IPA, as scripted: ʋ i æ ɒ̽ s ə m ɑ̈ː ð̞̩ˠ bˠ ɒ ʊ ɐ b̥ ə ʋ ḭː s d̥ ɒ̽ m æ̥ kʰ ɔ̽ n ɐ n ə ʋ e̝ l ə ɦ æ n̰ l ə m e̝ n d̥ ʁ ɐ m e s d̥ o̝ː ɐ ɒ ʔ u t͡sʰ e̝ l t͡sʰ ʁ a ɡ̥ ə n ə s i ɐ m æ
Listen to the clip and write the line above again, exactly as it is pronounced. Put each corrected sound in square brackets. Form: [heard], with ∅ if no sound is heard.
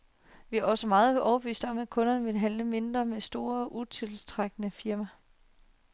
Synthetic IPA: ʋ i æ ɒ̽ s ə m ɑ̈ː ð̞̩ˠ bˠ ɒ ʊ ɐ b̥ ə ʋ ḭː s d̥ ɒ̽ m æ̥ kʰ ɔ̽ n ɐ n ə ʋ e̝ l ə ɦ æ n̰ l ə m e̝ n d̥ ʁ ɐ m e s d̥ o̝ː ɐ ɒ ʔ u t͡sʰ e̝ l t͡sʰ ʁ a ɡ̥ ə n ə [f] i ɐ m æ